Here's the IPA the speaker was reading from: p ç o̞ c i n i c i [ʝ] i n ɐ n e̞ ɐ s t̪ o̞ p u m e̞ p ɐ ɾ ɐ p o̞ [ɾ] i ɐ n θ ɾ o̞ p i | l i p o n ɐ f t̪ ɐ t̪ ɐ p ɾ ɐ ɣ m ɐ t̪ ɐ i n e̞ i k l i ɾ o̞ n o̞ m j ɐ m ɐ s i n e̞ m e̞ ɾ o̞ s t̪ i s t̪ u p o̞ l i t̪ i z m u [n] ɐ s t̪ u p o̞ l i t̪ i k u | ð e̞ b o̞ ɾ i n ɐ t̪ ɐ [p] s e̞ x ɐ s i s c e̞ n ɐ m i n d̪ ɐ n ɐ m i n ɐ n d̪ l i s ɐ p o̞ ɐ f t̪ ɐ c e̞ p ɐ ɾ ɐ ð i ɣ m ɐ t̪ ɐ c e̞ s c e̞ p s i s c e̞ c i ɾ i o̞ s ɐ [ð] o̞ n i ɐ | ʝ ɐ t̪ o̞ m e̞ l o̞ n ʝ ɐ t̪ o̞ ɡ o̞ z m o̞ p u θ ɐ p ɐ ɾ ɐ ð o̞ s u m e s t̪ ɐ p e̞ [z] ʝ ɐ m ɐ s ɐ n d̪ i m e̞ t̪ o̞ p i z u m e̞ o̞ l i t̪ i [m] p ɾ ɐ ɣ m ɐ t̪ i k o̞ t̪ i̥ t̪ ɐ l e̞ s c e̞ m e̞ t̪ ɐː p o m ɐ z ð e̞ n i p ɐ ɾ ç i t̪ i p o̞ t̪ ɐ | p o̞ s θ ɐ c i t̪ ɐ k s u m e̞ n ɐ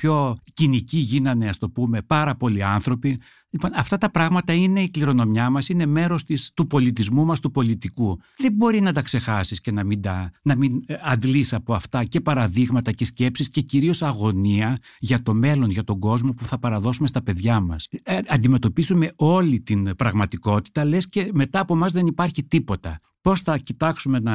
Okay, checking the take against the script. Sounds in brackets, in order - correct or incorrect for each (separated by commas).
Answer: correct, incorrect, incorrect, incorrect, incorrect, incorrect, incorrect